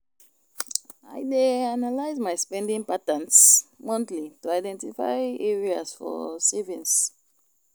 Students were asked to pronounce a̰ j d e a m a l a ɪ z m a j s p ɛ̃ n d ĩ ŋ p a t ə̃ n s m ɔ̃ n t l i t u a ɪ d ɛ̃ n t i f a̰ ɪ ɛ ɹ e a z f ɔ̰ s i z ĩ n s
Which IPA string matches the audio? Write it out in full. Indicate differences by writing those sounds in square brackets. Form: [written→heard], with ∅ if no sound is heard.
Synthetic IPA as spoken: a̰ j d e a [m→n] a l a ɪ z m a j s p ɛ̃ n d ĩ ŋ p a t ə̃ n s m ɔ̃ n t l i t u a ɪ d ɛ̃ n t i f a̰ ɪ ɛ ɹ [e→i] a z f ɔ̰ s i [z→v] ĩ n s